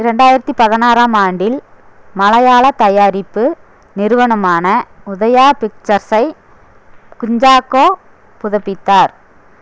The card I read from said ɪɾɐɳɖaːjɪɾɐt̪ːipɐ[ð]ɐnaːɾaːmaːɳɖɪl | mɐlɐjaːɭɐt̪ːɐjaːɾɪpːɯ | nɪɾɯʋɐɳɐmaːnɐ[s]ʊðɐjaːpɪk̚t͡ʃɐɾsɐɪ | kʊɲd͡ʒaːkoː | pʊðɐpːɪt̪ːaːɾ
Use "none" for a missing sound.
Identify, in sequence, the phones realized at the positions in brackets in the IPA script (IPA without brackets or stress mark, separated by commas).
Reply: ð, none